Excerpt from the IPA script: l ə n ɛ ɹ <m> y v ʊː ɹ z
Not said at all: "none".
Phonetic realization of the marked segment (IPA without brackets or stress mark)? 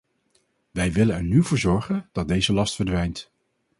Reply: n